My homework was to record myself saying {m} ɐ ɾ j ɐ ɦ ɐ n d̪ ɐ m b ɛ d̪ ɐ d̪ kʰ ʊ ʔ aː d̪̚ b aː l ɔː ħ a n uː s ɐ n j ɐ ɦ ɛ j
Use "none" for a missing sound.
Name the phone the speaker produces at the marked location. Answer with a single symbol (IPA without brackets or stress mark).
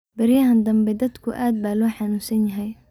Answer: b